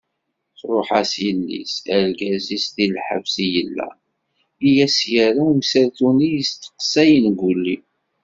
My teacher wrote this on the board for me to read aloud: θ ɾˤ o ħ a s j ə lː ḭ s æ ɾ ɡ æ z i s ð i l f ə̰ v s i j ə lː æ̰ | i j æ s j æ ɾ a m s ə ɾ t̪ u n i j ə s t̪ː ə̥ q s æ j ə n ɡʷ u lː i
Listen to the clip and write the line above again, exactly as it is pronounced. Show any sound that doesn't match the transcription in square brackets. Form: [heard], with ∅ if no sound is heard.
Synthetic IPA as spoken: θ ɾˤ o ħ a s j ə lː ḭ s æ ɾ ɡ æ z i s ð i l [ħ] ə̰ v s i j ə lː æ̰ | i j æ s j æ ɾ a m s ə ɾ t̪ u n i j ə s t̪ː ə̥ q s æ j ə n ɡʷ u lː i